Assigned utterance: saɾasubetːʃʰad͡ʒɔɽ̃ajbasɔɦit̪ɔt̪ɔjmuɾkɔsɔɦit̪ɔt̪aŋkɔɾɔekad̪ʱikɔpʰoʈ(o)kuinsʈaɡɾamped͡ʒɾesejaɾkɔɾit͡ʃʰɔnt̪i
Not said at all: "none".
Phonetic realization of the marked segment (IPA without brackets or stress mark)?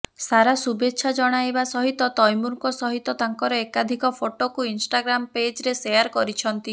o